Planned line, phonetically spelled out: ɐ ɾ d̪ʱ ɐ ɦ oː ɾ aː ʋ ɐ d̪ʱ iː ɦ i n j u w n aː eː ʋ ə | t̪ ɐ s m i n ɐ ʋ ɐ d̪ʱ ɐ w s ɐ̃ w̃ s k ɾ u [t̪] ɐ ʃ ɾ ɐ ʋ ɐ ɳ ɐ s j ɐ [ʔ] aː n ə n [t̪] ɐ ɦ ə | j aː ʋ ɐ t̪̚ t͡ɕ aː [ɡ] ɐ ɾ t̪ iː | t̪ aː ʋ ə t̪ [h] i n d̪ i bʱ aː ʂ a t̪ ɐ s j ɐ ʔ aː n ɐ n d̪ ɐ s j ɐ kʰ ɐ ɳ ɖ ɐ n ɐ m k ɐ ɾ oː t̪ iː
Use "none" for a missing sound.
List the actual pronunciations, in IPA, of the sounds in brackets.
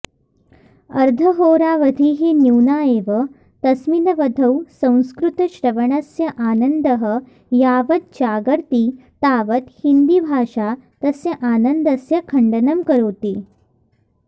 t̪, ʔ, d̪, ɡ, h

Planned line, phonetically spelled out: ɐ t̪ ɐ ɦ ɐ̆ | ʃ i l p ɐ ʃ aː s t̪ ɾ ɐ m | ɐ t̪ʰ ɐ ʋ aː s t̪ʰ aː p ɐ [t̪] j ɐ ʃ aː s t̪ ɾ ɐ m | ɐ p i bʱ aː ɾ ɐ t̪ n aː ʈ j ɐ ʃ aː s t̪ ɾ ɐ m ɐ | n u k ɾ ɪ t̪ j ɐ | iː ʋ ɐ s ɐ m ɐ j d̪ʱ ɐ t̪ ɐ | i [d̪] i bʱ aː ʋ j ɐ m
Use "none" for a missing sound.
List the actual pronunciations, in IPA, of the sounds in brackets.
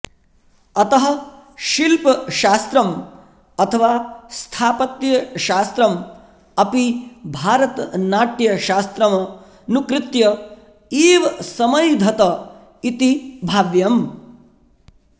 t̪, t̪

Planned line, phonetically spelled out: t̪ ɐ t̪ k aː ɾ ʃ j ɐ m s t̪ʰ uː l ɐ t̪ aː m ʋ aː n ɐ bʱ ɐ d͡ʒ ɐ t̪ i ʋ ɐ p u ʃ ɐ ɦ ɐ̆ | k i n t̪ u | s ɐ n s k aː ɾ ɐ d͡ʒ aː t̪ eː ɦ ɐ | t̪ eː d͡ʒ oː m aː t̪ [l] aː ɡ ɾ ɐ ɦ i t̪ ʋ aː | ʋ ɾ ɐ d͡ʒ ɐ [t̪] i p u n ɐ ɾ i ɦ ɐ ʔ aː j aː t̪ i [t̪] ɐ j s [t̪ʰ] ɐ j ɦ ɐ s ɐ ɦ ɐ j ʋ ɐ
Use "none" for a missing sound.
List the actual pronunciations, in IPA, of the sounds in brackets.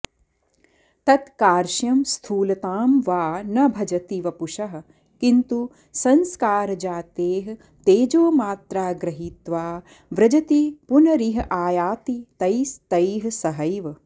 ɾ, t̪, t̪, t̪

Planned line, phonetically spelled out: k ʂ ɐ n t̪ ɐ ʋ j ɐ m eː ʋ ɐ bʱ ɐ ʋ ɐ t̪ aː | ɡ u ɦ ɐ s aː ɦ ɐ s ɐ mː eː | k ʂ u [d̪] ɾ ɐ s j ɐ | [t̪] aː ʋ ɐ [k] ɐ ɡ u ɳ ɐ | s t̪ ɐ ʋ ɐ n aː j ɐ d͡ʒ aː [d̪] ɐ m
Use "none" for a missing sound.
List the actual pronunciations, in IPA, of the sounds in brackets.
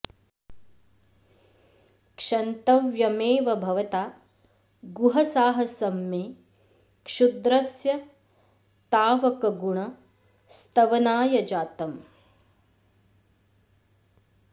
d̪, t̪, k, t̪

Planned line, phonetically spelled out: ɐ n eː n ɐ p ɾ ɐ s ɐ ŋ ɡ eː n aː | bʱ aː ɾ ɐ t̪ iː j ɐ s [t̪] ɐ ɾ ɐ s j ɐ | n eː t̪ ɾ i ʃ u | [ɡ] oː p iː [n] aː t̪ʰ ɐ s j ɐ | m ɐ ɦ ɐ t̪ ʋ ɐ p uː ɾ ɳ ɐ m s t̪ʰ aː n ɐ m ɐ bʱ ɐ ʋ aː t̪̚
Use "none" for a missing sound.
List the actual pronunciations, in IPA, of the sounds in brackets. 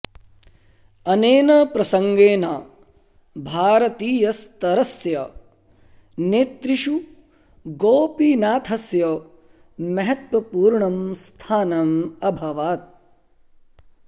t̪, ɡ, n

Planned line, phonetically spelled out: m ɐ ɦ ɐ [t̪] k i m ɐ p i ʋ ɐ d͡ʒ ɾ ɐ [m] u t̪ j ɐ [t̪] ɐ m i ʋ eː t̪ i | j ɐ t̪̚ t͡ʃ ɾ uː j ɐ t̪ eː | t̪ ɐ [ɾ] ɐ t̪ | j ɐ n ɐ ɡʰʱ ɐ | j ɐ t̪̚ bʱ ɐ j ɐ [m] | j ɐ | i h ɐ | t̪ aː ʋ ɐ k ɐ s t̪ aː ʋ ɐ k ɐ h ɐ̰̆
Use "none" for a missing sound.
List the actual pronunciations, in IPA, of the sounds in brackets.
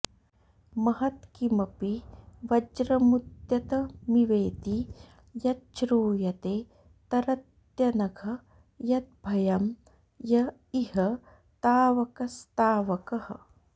t̪, m, t̪, ɾ, m

